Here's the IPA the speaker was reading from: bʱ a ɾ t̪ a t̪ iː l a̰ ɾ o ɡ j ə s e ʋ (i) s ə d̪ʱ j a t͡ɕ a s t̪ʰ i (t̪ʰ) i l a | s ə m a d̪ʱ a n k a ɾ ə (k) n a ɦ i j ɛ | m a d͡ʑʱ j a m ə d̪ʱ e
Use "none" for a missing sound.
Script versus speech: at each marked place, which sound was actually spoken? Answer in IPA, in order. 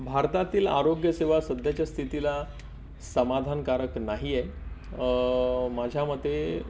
a, t̪, k

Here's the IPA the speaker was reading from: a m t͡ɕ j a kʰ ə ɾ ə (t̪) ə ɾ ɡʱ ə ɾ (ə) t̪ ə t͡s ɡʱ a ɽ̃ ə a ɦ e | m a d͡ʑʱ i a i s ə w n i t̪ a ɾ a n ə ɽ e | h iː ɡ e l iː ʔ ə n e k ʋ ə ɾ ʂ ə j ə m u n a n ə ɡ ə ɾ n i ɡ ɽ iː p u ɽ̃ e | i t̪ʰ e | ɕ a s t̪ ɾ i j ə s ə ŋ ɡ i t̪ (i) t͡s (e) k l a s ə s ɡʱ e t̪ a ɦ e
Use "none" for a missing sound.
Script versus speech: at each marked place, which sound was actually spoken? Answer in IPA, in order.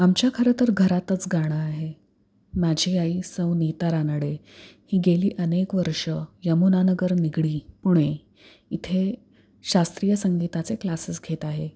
t̪, a, a, e

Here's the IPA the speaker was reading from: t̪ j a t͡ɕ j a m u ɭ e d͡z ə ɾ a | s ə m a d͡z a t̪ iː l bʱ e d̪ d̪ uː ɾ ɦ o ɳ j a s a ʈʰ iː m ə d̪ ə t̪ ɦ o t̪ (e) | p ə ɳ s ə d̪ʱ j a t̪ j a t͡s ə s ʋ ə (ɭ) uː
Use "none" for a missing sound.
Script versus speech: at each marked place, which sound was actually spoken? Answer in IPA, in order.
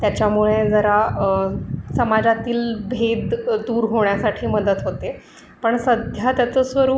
e, ɾ

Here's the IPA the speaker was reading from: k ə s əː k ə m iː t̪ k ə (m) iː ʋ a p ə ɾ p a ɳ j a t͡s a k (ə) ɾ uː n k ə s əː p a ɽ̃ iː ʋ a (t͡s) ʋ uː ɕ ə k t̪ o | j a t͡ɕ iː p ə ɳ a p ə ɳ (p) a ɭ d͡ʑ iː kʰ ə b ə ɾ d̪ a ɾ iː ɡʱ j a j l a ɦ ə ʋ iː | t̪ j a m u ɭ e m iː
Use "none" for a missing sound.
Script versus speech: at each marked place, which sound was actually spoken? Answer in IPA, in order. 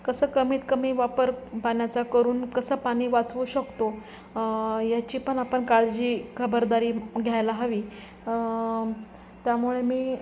m, ə, t͡s, k

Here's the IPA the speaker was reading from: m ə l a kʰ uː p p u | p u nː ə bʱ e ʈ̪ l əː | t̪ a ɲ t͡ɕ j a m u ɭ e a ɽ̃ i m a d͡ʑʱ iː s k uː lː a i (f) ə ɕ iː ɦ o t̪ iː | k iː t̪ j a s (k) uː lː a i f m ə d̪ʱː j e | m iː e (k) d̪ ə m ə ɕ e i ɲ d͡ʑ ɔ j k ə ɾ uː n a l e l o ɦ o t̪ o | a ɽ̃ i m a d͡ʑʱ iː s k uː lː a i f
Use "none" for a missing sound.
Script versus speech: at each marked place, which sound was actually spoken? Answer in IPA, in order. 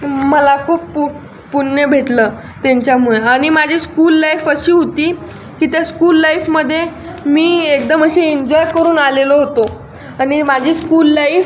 f, k, k

